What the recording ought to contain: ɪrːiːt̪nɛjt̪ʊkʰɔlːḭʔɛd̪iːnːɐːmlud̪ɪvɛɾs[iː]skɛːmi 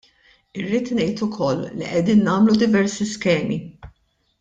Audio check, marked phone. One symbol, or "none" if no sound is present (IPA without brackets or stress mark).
i